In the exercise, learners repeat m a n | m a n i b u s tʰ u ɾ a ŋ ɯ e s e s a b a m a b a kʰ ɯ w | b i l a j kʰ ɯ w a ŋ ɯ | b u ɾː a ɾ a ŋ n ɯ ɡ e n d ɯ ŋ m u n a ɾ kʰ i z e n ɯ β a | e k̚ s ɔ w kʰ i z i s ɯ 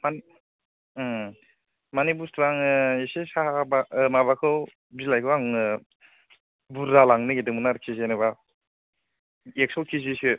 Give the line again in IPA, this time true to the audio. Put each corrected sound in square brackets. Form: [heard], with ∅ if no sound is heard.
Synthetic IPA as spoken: m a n | m a n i b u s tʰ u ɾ a ŋ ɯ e s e s a b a m a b a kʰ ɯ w | b i l a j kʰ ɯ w a ŋ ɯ | b u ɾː a [l] a ŋ n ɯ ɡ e [∅] d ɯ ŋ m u n a ɾ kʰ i z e n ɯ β a | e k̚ s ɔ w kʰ i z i s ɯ

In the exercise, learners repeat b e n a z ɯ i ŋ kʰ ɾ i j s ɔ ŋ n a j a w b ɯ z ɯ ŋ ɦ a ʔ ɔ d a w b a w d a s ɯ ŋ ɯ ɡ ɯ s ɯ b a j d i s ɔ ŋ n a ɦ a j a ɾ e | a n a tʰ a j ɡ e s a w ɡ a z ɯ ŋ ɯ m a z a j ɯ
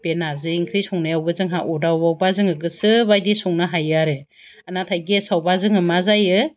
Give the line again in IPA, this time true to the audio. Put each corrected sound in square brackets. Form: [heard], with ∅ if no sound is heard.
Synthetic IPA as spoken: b e n a z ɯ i ŋ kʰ ɾ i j s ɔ ŋ n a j a w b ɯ z ɯ ŋ ɦ a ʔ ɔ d a w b a w [b] a [z] ɯ ŋ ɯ ɡ ɯ s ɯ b a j d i s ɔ ŋ n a ɦ a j a ɾ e | a n a tʰ a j ɡ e s a w [b] a z ɯ ŋ ɯ m a z a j ɯ

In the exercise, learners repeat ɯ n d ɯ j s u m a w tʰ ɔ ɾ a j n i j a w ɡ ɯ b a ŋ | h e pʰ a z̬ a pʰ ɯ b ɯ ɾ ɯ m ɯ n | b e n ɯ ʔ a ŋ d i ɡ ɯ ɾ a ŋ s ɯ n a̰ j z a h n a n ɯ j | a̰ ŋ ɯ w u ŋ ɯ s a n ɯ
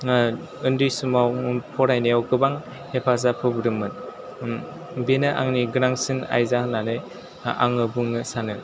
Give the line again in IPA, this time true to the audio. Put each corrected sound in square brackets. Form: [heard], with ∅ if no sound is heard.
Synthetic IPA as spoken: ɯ n d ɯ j s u m a w [pʰ] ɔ ɾ a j n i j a w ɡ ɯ b a ŋ | h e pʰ a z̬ a pʰ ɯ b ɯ ɾ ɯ m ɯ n | b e n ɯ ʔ a ŋ [n] i ɡ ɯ ɾ a ŋ s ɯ n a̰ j z a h n a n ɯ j | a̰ ŋ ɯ [b] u ŋ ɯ s a n ɯ

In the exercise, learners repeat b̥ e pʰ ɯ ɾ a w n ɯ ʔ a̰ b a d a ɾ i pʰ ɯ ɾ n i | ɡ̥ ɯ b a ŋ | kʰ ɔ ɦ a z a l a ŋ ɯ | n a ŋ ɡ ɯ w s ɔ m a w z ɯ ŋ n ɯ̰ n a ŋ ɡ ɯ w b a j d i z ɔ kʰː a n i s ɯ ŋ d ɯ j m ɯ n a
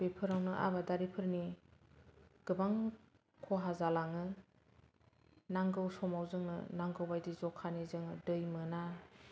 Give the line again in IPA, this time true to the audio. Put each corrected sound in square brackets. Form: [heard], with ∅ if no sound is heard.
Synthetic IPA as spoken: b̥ e pʰ ɯ ɾ a w n ɯ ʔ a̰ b a d a ɾ i pʰ ɯ ɾ n i | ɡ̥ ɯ b a ŋ | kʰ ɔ ɦ a z a l a ŋ ɯ | n a ŋ ɡ ɯ w s ɔ m a w z ɯ ŋ n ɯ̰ n a ŋ ɡ ɯ w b a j d i z ɔ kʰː a n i [z] ɯ ŋ d ɯ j m ɯ n a

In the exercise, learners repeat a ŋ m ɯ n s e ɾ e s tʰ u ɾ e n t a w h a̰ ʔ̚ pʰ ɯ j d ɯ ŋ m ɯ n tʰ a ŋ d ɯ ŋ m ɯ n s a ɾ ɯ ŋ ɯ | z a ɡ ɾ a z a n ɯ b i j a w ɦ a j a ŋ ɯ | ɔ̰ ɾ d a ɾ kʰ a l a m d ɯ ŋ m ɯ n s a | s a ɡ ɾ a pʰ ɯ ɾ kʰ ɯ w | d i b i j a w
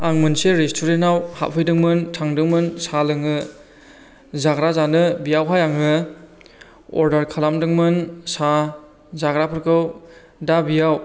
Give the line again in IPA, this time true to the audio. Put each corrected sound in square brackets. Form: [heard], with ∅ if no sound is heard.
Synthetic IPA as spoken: a ŋ m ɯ n s e ɾ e s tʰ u ɾ e n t a w h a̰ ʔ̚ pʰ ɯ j d ɯ ŋ m ɯ n tʰ a ŋ d ɯ ŋ m ɯ n s a [l] ɯ ŋ ɯ | z a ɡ ɾ a z a n ɯ b i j a w ɦ a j a ŋ ɯ | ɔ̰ ɾ d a ɾ kʰ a l a m d ɯ ŋ m ɯ n s a | [z] a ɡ ɾ a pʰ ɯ ɾ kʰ ɯ w | d [a] b i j a w

